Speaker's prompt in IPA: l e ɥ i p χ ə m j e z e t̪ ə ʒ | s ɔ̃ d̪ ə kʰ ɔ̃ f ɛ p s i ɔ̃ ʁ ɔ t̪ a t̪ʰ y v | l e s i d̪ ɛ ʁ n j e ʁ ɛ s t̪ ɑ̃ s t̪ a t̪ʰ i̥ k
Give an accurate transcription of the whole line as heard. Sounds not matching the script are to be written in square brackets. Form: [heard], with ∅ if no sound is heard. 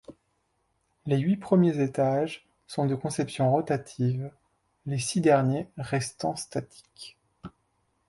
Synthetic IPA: l e ɥ i p χ ə m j e z e t̪ [a] ʒ | s ɔ̃ d̪ ə [k] ɔ̃ [s] ɛ p s [j] ɔ̃ ʁ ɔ t̪ a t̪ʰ [i] v | l e s i d̪ ɛ ʁ n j e ʁ ɛ s t̪ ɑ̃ s t̪ a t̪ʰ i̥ k